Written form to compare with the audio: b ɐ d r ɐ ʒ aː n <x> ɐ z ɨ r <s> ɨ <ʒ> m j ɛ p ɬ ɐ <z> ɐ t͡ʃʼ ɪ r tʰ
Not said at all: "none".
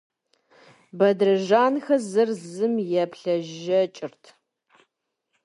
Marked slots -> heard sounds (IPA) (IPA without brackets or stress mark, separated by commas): x, z, none, ʒ